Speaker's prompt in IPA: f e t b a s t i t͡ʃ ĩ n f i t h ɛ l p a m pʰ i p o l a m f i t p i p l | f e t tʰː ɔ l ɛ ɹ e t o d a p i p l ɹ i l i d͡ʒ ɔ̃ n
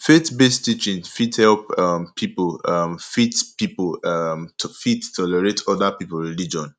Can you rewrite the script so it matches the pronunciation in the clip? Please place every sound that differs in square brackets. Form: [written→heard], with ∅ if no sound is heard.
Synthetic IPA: f e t b [a→e] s t i t͡ʃ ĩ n f i t h ɛ l p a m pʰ i p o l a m f i t p i p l | f [e→i] t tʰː ɔ l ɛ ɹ e t [o→ɔ] d a p i p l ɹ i l i d͡ʒ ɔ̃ n